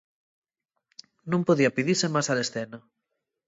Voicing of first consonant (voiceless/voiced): voiced